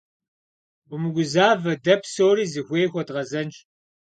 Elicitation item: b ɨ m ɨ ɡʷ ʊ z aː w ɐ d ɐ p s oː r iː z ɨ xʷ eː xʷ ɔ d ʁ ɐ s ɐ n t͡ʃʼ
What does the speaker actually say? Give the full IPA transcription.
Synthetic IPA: b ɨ m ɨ ɡʷ ʊ z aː v ɐ d ɐ p s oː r iː z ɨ xʷ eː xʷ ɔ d ʁ ɐ z ɐ n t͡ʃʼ